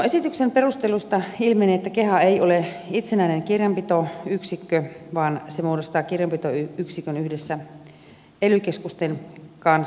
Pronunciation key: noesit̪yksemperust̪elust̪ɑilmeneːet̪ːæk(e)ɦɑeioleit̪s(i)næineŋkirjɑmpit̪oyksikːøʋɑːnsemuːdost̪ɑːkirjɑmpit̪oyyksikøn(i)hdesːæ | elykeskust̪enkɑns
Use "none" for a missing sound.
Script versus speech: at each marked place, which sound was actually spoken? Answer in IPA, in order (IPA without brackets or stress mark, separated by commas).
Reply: e, e, y